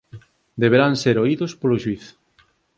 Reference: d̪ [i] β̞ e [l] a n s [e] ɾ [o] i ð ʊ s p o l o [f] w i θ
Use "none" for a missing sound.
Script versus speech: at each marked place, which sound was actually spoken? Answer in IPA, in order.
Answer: e, ɾ, e, o, ʃ

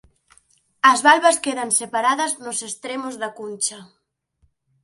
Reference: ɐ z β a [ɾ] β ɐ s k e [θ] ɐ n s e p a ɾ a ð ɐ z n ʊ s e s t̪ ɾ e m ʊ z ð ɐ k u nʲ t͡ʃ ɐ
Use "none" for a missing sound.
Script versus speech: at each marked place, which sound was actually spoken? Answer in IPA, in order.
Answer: l, ð

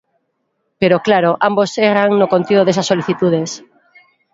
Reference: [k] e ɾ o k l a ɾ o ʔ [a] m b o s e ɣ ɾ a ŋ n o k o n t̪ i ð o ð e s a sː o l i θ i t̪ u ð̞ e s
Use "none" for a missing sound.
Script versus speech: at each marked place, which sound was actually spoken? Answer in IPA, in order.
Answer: p, a

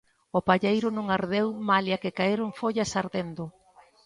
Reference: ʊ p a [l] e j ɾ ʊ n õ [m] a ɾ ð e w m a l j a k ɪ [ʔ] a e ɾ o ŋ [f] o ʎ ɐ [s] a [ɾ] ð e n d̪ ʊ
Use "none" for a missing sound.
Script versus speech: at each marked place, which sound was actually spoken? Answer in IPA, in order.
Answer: ʎ, ŋ, k, f, s, ɾ

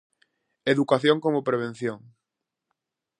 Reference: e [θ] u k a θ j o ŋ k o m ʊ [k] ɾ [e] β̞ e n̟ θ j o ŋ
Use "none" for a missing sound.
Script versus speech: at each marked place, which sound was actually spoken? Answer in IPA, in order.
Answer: ð, p, e

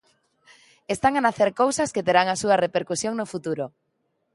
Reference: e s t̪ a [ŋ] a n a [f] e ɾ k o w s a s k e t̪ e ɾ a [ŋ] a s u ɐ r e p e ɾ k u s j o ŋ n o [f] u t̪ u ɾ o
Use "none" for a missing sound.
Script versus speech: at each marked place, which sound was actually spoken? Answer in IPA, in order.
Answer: ŋ, θ, ŋ, f

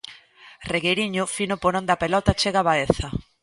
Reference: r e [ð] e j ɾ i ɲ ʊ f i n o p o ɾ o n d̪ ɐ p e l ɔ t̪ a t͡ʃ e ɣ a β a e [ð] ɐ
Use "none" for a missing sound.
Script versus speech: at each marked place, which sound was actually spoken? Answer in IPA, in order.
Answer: ɣ, θ

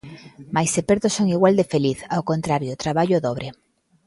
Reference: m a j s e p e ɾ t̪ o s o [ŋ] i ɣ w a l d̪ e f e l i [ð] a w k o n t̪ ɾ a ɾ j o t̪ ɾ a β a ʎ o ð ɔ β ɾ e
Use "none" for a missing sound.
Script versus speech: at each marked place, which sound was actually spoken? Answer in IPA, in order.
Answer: ŋ, θ

